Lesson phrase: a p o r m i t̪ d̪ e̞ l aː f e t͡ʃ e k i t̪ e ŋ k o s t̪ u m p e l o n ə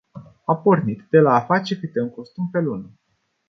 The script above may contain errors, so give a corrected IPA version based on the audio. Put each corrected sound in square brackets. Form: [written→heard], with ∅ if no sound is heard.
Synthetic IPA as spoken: a p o r [m→n] i t̪ d̪ e̞ l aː f [e→a] t͡ʃ e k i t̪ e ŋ k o s t̪ u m p e l [o→u] n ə